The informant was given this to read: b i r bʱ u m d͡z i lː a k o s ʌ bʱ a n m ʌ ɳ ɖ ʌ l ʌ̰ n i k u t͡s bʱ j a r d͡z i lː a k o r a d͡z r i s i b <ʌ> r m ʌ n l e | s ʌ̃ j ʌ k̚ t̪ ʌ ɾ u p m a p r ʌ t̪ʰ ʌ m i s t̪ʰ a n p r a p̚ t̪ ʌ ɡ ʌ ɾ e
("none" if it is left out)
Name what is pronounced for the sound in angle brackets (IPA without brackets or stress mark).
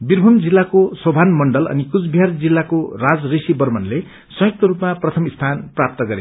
ʌ